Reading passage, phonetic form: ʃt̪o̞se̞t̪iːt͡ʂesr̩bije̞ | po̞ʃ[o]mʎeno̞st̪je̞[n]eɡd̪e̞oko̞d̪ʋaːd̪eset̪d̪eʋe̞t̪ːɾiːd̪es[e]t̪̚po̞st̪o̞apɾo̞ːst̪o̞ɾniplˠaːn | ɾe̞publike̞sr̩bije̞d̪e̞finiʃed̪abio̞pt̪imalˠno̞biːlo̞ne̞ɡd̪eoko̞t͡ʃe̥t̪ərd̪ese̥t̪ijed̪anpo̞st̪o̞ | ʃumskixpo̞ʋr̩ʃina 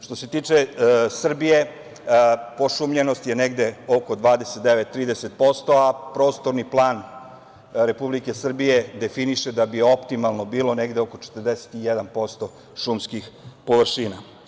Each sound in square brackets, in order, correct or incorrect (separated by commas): incorrect, correct, correct